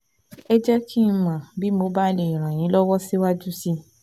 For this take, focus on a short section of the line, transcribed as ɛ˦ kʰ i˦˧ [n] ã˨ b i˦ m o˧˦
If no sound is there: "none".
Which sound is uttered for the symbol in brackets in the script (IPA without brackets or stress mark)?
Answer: m